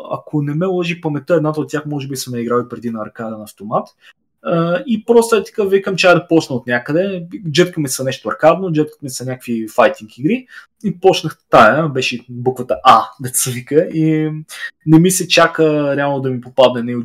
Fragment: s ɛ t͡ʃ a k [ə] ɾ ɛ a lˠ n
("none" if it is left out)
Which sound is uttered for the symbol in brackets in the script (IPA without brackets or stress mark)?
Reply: ə